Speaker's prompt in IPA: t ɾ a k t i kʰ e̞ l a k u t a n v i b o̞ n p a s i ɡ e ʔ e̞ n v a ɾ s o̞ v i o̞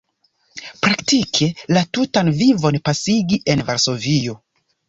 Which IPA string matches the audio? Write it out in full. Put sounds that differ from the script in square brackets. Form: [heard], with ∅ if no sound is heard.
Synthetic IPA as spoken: [p] ɾ a k t i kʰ e̞ l a [t] u t a n v i [v] o̞ n p a s i ɡ [i] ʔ e̞ n v a ɾ s o̞ v i o̞